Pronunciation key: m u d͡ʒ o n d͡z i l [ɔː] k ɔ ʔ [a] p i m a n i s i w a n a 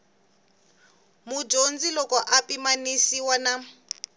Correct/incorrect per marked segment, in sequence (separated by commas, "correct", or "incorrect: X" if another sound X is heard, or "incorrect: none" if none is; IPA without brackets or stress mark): incorrect: ɔ, correct